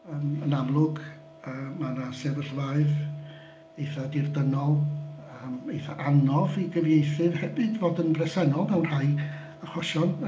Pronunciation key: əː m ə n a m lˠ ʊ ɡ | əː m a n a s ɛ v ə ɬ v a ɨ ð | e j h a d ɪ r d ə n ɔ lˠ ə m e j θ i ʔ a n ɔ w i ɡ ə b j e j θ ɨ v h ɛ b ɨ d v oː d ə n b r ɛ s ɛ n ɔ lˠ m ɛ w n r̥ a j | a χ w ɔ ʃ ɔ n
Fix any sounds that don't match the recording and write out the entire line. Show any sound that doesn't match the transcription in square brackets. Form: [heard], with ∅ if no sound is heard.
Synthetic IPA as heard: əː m ə n a m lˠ ʊ ɡ | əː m a n a s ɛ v ə ɬ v a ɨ ð | e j [θ] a d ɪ r d ə n ɔ lˠ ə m e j θ [a] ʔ a n ɔ [v] i ɡ ə [v] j e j θ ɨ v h ɛ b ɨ d v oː d ə n b r ɛ s ɛ n ɔ lˠ m ɛ w n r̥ a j | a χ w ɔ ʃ ɔ n